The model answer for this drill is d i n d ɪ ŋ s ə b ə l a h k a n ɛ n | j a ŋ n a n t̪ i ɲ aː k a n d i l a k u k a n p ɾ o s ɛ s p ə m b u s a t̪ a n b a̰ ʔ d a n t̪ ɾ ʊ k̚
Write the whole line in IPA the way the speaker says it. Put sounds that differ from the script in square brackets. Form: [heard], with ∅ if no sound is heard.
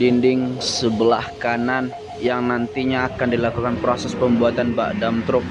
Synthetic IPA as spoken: d i n d ɪ ŋ s ə b ə l a h k a n [a] n | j a ŋ n a n t̪ i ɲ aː k a n d i l a k u k a n p ɾ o s ɛ s p ə m b u [∅] a t̪ a n b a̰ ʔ d a [m] t̪ ɾ ʊ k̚